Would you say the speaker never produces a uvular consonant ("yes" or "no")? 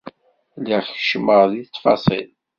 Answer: no